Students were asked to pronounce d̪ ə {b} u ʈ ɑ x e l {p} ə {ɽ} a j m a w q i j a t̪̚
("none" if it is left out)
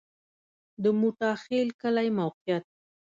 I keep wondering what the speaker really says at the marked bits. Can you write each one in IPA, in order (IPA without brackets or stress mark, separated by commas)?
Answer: m, k, l